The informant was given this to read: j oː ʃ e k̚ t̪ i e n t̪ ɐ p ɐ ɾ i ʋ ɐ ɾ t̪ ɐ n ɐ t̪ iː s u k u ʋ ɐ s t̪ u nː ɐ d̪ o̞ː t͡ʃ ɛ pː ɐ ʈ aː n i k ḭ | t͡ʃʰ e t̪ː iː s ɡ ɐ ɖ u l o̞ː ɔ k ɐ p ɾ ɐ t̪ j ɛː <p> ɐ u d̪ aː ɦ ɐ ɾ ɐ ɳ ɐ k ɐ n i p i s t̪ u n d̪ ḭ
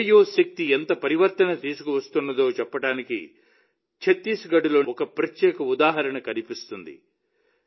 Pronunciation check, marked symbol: incorrect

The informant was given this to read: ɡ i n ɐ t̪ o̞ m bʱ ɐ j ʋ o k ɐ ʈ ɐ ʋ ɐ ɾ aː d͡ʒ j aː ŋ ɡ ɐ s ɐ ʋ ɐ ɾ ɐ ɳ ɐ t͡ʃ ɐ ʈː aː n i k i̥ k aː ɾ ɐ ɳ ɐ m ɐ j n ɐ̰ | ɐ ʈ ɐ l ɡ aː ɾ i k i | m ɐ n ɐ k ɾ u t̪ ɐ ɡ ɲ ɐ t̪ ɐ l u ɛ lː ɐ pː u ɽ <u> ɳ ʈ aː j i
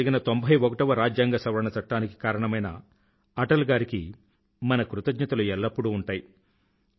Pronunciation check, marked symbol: incorrect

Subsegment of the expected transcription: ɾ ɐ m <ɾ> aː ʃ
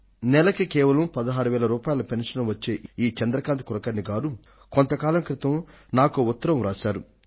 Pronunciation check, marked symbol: correct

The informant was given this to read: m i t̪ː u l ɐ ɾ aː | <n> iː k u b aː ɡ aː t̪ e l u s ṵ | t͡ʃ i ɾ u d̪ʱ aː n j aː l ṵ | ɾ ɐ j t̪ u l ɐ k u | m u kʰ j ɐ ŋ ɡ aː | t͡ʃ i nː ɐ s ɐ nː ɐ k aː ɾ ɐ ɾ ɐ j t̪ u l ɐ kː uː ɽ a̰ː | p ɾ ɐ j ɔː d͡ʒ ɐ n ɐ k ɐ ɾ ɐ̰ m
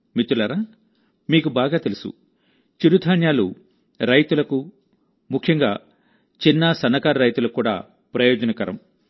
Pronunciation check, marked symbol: incorrect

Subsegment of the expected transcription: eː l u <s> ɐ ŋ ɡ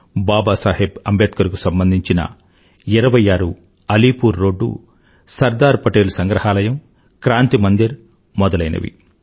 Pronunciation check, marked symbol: correct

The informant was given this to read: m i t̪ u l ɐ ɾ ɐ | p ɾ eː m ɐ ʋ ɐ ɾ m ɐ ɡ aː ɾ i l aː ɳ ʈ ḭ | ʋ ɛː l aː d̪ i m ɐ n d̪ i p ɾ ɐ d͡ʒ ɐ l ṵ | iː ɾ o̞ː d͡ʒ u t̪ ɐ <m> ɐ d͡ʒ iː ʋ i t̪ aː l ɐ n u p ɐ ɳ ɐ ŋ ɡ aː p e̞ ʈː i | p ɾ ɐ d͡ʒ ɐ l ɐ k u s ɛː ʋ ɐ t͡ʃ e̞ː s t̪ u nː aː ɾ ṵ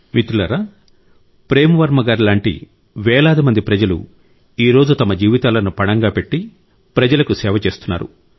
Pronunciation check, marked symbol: correct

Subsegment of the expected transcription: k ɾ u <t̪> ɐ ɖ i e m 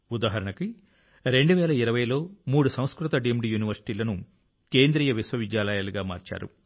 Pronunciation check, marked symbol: correct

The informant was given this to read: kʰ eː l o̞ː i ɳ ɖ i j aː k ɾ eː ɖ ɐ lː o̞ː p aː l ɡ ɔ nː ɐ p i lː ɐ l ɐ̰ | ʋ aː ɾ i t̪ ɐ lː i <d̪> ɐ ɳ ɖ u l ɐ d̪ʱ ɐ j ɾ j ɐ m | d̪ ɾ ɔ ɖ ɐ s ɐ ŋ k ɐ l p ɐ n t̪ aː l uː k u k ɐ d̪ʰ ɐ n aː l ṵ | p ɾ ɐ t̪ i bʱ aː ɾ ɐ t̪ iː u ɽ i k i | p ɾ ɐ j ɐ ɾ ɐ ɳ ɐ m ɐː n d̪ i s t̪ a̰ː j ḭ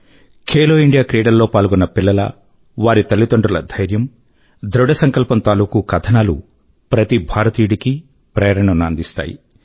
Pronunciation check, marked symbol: incorrect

